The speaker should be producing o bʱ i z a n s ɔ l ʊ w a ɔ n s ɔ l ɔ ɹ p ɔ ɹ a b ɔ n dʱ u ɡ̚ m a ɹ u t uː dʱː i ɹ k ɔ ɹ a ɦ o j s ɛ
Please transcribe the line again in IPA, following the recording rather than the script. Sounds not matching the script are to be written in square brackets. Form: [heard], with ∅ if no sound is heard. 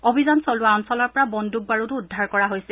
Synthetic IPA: o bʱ i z a n s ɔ l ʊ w a ɔ n s ɔ l ɔ ɹ p ɔ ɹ a b ɔ n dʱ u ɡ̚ [b] a ɹ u t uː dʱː [a] ɹ k ɔ ɹ a ɦ o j s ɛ